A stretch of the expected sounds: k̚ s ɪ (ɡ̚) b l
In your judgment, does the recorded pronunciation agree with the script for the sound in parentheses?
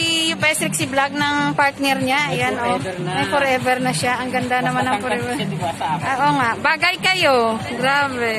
no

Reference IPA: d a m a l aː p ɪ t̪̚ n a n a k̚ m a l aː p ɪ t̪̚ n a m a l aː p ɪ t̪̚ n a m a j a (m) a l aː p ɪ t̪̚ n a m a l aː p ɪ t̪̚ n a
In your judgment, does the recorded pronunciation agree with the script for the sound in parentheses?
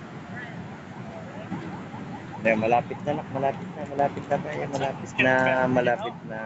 yes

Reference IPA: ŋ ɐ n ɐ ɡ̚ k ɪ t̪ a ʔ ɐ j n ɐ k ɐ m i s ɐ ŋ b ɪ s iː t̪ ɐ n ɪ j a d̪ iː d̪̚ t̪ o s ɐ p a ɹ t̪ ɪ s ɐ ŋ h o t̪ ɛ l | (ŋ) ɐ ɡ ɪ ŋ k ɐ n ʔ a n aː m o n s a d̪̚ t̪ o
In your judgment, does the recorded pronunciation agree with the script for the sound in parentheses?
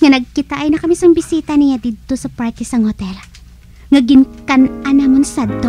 yes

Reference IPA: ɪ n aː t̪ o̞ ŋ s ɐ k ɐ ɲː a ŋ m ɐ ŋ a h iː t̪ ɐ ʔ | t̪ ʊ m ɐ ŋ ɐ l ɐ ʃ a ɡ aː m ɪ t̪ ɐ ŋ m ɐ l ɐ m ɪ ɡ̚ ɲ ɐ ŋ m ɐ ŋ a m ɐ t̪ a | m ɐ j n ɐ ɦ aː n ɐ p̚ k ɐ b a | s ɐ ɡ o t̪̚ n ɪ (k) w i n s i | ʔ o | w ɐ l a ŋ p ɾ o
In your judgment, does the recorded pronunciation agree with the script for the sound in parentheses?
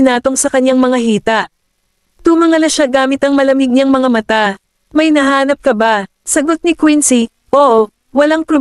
yes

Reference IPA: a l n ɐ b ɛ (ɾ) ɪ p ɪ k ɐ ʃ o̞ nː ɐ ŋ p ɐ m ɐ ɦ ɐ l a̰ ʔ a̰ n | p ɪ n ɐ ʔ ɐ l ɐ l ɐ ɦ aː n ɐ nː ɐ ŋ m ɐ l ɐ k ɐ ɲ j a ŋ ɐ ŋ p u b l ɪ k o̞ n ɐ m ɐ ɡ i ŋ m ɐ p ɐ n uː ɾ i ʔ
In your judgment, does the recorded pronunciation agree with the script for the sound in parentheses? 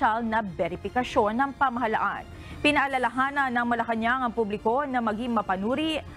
yes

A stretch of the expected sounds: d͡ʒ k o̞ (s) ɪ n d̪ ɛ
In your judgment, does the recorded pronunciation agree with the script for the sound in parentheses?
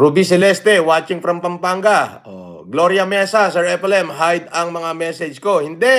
no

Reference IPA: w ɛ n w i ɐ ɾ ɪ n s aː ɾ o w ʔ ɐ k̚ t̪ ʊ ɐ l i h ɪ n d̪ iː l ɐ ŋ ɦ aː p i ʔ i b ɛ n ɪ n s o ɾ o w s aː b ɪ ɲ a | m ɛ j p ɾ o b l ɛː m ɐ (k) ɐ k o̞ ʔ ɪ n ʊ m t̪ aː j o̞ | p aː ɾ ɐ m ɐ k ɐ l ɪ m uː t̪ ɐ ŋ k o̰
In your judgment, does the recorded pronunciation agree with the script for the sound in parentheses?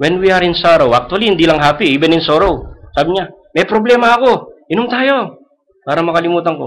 no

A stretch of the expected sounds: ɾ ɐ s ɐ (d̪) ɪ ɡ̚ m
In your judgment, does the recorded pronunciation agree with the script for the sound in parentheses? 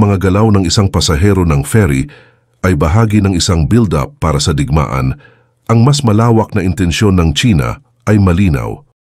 yes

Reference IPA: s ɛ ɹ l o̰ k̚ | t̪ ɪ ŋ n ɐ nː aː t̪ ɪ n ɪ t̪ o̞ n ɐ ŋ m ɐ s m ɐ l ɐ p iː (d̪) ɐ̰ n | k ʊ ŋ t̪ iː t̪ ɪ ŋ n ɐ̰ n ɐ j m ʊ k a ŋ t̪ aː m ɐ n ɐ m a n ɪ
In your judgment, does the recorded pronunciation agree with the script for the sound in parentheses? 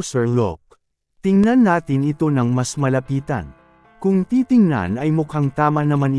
no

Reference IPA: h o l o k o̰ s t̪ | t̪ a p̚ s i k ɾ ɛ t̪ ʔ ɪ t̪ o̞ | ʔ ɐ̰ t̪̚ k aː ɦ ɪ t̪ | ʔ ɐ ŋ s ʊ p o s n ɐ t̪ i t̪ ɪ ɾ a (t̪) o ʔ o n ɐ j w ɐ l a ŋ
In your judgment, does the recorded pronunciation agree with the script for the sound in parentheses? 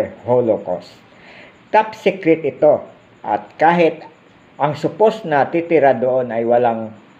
no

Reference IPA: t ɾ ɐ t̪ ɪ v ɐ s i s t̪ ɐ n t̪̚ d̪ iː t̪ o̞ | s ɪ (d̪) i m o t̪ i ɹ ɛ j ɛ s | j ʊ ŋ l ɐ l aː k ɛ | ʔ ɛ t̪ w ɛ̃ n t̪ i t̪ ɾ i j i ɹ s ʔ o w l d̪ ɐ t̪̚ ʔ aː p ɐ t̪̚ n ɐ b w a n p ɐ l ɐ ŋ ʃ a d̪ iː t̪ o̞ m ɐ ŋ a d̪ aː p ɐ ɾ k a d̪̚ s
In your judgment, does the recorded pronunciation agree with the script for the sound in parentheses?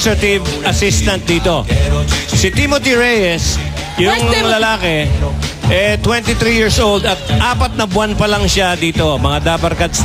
no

